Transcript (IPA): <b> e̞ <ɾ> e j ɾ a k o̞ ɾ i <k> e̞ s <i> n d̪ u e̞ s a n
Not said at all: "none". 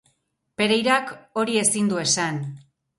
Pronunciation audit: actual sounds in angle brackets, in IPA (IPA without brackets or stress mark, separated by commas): p, ɾ, none, i